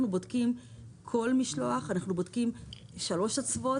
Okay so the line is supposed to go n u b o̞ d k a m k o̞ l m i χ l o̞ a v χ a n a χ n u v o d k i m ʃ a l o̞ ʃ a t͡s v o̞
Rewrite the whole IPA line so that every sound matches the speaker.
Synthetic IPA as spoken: n u b o̞ d k i m kʰ o̞ l m i ʃ l o̞ a χ a n a χ n u b o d k i m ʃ a l o̞ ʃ a t͡s v o̞

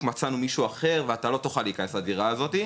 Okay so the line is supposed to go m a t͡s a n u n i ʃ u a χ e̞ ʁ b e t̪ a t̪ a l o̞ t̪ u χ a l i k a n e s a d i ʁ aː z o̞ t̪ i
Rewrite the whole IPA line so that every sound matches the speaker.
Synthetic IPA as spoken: m a t͡s a n u m i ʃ u a χ e̞ ʁ v e a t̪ a l o̞ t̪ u χ a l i k a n e s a d i ʁ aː z o̞ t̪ i

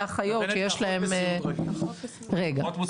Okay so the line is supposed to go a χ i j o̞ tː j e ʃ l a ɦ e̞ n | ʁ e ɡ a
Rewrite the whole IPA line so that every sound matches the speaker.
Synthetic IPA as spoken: a χ a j o̞ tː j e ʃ l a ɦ e̞ m | ʁ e ɡ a

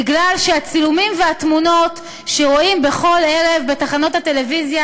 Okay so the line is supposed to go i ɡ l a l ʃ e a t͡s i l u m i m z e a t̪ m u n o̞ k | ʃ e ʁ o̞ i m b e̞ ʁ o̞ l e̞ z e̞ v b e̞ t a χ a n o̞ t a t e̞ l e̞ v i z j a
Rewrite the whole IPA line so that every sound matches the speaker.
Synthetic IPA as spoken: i ɡ l a l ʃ e a t͡s i l u m i m v e a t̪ m u n o̞ t | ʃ e ʁ o̞ i m b e̞ χ o̞ l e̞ ʁ e̞ v b e̞ t a χ a n o̞ t a t e̞ l e̞ v i z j a

